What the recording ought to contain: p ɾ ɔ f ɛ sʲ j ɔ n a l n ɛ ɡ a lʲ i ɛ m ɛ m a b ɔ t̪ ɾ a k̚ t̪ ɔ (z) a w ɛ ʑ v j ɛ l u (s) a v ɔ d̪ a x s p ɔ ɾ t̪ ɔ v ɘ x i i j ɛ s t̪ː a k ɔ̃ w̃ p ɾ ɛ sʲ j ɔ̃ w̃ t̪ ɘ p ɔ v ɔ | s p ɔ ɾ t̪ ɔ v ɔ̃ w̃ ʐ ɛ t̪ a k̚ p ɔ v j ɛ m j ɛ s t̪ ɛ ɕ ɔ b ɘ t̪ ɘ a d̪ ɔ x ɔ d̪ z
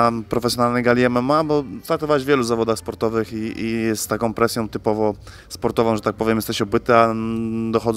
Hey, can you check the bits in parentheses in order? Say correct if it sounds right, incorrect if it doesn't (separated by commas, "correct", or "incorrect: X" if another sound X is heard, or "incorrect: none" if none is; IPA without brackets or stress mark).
incorrect: v, incorrect: z